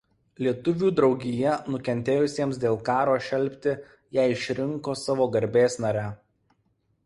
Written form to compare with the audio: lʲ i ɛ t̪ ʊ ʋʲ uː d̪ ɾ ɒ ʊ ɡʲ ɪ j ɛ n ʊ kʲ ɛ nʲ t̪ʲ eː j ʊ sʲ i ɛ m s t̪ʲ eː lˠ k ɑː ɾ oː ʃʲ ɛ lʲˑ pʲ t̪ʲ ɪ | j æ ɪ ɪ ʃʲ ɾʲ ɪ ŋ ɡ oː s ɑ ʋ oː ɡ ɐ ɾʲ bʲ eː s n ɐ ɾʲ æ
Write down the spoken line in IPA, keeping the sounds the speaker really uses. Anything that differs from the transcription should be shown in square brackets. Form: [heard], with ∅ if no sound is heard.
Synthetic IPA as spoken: lʲ i ɛ t̪ ʊ ʋʲ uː d̪ ɾ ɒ ʊ ɡʲ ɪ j ɛ n ʊ kʲ ɛ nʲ t̪ʲ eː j ʊ sʲ i ɛ m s [d̪ʲ] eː lˠ k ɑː ɾ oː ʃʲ ɛ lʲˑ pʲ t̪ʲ ɪ | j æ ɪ ɪ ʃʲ ɾʲ ɪ ŋ [k] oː s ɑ ʋ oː ɡ ɐ ɾʲ bʲ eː s n ɐ ɾʲ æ